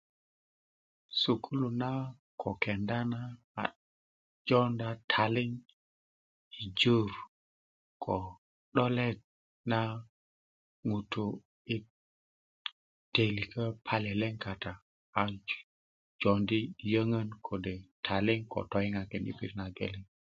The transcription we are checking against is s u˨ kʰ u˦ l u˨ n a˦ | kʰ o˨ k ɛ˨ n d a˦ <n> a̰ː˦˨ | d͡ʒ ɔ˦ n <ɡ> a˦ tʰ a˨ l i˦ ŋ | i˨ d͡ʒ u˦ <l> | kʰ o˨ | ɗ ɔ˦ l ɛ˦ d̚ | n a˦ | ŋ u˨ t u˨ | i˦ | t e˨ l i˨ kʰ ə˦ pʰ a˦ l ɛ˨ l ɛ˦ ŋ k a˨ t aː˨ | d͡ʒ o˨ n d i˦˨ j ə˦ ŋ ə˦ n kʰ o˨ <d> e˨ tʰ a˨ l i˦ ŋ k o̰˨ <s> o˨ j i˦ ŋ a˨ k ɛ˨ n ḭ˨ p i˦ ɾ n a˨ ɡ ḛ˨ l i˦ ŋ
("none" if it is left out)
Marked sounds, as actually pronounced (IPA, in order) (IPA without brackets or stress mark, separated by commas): n, d, ɾ, d, t